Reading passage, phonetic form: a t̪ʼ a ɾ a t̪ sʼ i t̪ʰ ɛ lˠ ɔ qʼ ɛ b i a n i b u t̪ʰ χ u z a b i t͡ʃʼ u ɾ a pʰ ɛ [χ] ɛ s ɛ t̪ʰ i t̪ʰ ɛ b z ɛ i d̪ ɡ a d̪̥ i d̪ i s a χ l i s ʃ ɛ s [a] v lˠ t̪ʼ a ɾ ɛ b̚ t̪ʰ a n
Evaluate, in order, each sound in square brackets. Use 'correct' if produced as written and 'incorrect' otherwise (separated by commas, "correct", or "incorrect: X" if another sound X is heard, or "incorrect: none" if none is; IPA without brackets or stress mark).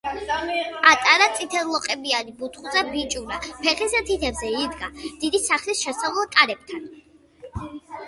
correct, correct